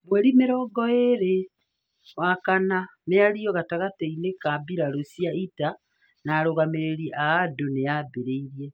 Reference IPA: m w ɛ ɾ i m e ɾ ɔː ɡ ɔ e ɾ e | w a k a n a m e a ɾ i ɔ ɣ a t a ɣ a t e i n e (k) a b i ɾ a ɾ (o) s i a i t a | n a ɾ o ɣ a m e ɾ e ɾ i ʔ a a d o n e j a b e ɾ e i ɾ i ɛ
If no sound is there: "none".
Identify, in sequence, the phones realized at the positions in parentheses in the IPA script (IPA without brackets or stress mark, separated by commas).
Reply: k, o